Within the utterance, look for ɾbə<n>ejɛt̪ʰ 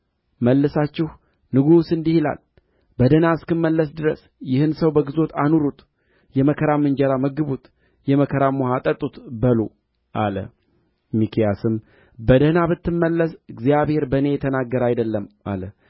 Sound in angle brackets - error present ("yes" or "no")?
no